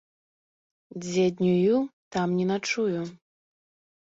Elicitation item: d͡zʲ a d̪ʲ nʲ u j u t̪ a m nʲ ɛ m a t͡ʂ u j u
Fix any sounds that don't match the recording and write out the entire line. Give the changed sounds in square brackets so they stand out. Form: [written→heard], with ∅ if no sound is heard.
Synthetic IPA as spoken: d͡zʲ [a→ɛ] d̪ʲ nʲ u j u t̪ a m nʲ ɛ [m→n] a t͡ʂ u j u